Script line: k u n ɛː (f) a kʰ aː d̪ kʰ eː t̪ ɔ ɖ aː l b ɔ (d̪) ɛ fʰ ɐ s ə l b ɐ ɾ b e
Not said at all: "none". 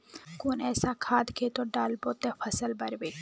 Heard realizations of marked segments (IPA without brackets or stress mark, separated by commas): s, t̪